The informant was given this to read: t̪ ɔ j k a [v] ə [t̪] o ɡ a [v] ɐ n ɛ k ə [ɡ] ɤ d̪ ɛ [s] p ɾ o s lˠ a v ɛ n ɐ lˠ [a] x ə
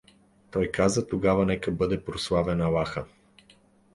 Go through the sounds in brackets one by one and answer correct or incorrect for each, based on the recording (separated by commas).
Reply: incorrect, correct, correct, incorrect, incorrect, correct